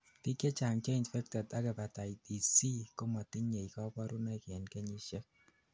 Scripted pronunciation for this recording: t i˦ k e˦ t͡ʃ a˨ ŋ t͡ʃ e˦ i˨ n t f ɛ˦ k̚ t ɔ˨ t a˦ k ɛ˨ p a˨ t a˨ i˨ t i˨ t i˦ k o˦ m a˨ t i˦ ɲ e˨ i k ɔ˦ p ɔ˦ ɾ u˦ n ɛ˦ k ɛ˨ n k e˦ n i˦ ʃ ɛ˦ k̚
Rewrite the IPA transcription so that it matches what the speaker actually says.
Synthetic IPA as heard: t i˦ k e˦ t͡ʃ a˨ ŋ t͡ʃ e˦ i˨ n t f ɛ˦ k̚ t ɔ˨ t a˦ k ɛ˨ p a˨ t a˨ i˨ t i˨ s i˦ k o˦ m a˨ t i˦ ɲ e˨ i k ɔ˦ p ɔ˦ ɾ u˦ n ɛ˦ k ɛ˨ n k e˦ ɲ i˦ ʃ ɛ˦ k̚